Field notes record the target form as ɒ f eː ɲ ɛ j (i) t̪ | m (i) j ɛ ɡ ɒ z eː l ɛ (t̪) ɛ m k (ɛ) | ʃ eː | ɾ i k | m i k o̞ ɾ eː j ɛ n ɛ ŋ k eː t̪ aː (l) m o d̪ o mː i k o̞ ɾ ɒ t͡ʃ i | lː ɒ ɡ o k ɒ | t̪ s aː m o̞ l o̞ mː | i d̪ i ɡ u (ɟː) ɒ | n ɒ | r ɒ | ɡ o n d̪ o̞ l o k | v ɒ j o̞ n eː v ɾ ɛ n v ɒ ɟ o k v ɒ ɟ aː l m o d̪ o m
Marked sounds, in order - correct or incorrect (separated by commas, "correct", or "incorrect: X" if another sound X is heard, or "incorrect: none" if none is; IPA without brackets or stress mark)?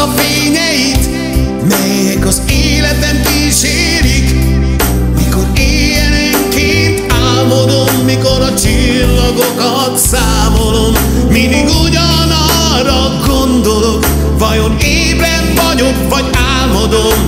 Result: correct, incorrect: ɛ, correct, incorrect: i, correct, incorrect: ɟ